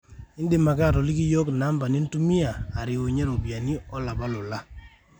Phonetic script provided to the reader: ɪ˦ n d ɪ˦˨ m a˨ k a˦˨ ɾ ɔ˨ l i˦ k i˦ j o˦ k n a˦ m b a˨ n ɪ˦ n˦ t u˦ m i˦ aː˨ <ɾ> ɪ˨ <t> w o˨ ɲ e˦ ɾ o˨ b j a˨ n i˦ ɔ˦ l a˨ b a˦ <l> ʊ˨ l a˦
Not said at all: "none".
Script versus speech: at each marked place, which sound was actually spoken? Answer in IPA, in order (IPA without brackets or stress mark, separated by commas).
ɾ, none, l